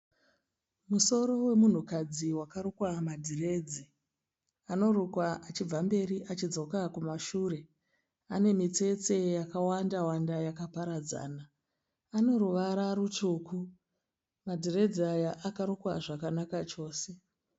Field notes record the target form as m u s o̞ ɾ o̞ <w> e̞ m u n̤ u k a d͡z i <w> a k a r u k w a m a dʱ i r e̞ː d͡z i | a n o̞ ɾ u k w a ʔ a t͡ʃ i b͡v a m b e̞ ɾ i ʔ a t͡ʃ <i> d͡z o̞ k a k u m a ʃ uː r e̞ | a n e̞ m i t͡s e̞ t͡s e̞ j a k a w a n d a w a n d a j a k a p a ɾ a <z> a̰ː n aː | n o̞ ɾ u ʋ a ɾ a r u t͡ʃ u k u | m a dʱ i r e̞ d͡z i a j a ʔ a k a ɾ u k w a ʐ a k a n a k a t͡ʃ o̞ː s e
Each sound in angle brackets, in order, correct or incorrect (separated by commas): correct, correct, correct, incorrect